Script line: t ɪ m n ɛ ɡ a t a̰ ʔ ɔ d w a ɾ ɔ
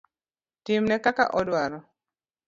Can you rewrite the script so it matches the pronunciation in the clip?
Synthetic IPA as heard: t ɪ m n ɛ k a k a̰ ʔ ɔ d w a ɾ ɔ